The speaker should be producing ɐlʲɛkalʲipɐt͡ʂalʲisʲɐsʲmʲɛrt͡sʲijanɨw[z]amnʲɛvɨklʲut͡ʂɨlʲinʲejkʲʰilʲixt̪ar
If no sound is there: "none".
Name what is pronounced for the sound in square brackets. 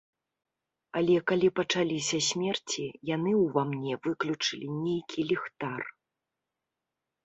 v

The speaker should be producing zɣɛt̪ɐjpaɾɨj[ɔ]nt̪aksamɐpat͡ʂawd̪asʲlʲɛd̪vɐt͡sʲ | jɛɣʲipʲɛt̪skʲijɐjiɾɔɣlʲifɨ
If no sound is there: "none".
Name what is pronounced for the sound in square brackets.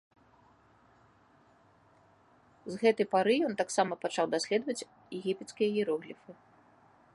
ɔ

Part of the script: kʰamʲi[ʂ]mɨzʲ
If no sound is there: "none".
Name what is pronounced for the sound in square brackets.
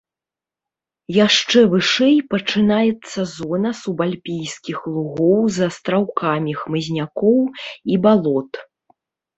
x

